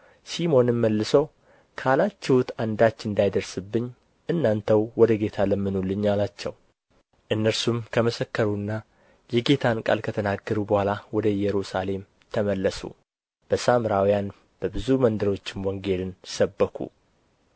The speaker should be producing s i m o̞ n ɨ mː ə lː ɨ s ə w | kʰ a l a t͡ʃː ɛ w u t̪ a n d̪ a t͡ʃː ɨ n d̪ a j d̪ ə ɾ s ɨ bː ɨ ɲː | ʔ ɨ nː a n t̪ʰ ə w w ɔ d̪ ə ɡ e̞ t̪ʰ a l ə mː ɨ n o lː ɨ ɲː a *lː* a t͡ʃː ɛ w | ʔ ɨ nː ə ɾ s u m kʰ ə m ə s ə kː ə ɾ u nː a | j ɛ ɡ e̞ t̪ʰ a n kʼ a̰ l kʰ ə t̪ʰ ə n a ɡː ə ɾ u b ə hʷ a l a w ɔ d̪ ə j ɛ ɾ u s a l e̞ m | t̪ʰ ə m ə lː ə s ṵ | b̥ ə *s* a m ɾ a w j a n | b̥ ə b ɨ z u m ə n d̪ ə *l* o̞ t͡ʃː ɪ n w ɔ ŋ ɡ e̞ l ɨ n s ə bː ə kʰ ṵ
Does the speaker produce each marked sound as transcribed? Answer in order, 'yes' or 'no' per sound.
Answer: no, yes, no

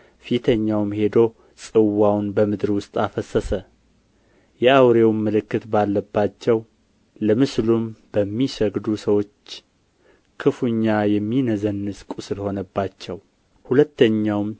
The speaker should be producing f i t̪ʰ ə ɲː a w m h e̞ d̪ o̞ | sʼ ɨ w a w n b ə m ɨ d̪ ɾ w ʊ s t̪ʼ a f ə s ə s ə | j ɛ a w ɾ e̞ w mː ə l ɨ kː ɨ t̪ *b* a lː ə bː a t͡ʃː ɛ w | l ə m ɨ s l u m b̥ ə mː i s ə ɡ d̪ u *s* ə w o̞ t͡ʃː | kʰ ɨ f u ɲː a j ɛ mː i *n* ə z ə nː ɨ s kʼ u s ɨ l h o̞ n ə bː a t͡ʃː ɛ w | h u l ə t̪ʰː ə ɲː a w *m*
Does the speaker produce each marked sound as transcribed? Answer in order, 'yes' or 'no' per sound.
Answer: yes, yes, yes, yes

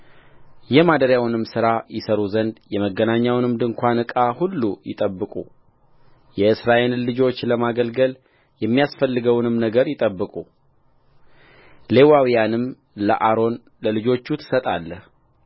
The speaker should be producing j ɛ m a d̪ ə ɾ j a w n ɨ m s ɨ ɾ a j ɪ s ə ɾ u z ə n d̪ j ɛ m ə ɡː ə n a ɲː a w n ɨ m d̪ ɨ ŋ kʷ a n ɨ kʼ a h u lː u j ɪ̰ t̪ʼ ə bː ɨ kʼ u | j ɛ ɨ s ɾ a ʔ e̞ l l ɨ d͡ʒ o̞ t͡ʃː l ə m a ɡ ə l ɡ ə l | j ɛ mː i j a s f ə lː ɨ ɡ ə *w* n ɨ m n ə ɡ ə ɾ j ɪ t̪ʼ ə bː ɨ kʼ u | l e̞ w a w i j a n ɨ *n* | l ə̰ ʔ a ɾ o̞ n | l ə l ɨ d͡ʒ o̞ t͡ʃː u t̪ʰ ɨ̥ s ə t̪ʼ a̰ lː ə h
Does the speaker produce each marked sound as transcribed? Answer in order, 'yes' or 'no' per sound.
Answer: yes, no

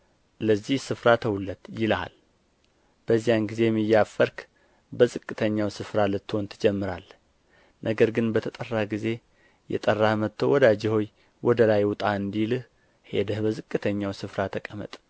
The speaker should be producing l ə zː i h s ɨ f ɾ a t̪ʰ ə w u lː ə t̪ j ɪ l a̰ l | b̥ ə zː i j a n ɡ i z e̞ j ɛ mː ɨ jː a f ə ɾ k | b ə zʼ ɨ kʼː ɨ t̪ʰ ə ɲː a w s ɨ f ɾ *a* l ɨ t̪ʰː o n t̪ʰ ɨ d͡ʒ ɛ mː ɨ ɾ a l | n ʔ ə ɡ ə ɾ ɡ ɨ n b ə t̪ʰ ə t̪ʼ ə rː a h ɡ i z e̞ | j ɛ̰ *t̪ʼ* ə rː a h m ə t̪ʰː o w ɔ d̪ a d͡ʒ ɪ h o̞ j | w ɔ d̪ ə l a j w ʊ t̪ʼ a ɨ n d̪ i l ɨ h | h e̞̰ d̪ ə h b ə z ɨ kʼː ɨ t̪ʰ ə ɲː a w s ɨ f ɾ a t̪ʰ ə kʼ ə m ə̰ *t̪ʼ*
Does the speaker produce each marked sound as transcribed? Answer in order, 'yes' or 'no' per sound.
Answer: yes, yes, yes

